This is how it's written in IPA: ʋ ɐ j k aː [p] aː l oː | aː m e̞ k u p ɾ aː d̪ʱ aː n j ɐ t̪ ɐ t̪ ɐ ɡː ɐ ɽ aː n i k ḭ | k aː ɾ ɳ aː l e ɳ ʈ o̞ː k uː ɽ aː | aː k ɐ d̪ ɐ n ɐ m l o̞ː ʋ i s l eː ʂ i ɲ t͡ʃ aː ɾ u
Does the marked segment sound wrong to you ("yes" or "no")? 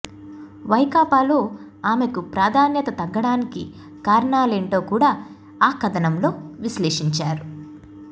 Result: no